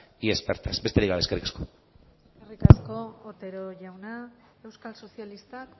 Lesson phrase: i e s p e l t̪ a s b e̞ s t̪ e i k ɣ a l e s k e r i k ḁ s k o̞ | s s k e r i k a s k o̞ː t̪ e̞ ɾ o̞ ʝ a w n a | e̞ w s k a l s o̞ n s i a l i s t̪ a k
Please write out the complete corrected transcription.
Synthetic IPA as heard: i e s p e ɾ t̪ a s b e̞ s t̪ e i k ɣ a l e s k e r i k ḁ s k o̞ | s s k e r i k a s k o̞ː t̪ e̞ ɾ o̞ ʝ a w n a | e̞ w s k a l s o̞ s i a l i s t̪ a k

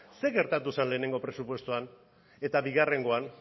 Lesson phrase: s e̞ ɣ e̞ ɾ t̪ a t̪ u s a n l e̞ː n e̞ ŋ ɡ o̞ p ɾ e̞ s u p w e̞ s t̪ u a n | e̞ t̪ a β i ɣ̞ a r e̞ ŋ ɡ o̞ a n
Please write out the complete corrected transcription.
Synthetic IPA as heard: s e̞ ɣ e̞ ɾ t̪ a t̪ u s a n l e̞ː n e̞ ŋ ɡ o̞ p ɾ e̞ s u p w e̞ s t̪ u a n | e̞ t̪ a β i ɣ̞ a r e̞ ŋ ɡ o̞ a n

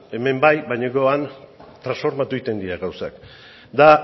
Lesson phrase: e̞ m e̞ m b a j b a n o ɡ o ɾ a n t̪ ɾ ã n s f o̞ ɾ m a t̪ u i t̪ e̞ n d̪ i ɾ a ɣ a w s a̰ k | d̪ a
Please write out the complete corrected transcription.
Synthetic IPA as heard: e̞ m e̞ m b a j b a ɲ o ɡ o a n t̪ ɾ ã n s f o̞ ɾ m a t̪ u i t̪ e̞ n d̪ i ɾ a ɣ a w s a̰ k | d̪ a

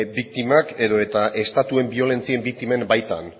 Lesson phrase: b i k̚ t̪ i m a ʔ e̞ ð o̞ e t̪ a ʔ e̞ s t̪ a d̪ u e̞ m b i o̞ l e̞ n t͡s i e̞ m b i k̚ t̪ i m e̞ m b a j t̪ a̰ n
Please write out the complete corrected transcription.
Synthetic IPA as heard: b i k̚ t̪ i m a k e̞ ð o̞ e t̪ a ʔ e̞ s t̪ a t̪ u e̞ m b i o̞ l e̞ n t͡s i e̞ m b i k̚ t̪ i m e̞ m b a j t̪ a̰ n

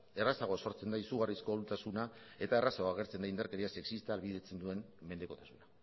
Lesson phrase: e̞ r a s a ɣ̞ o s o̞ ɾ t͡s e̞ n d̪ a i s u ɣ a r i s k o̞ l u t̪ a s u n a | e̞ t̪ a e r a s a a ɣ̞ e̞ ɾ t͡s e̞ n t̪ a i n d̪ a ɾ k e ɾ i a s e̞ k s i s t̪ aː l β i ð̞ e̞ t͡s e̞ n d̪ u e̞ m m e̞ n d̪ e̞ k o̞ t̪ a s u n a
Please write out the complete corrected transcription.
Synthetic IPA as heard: e̞ r a s a ɣ̞ o s o̞ ɾ t͡s e̞ n d̪ a i s u ɣ a r i s k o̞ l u t̪ a s u n a | e̞ t̪ a e r a s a a ɣ̞ e̞ ɾ t͡s e̞ n d̪ a i n d̪ a ɾ k e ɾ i a s e̞ k s i s t̪ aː l β i ð̞ e̞ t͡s e̞ n d̪ u e̞ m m e̞ n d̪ e̞ k o̞ t̪ a s u n a

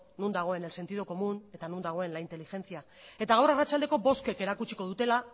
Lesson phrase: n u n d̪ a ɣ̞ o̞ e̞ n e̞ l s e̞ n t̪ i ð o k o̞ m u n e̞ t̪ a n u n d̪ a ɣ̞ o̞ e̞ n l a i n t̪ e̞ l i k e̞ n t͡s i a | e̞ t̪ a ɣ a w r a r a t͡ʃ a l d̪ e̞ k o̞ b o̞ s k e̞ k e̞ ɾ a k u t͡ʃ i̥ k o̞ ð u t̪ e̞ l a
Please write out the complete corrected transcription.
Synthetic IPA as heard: n u n d̪ a ɣ̞ o̞ e̞ n e̞ l s e̞ n t̪ i ð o k o̞ m u n e̞ t̪ a n u n d̪ a ɣ̞ o̞ e̞ n l a i n t̪ e̞ l i x e̞ n t͡s i a | e̞ t̪ a ɣ a w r a r a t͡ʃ a l d̪ e̞ k o̞ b o̞ s k e̞ k e̞ ɾ a k u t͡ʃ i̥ k o̞ ð u t̪ e̞ l a

